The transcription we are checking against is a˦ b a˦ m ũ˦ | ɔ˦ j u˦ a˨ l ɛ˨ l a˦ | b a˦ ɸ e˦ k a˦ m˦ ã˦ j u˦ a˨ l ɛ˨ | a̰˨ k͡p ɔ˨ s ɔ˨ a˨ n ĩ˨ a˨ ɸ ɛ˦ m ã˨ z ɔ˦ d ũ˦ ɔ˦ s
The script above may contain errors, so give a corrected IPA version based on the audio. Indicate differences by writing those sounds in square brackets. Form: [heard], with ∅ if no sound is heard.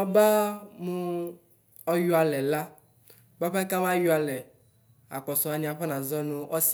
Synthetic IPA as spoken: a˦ b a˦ m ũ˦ | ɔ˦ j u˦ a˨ l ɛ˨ l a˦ | b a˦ ɸ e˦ k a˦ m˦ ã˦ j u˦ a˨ l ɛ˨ | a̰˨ k͡p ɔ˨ s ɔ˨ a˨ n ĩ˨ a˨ ɸ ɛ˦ [n] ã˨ z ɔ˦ [n] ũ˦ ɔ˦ s